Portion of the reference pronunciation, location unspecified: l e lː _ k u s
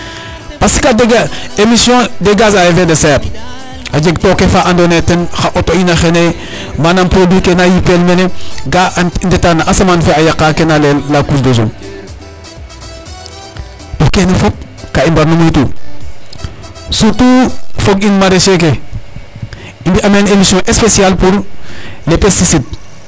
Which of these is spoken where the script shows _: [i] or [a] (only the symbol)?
a